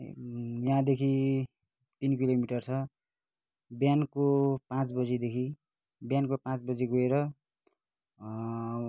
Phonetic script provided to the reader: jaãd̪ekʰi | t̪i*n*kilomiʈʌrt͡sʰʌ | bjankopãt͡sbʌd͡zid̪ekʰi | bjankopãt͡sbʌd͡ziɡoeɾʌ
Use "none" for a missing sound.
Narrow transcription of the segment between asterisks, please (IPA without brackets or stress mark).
n